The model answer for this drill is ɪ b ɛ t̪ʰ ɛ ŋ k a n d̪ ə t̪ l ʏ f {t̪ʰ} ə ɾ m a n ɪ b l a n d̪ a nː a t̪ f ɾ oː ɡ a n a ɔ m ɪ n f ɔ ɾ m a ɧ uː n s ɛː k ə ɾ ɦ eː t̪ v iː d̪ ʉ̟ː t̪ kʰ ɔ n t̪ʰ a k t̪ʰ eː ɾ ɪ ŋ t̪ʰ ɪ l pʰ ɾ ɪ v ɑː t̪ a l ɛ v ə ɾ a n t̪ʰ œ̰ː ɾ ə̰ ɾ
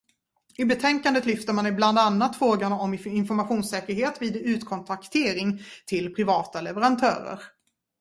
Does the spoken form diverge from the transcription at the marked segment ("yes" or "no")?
yes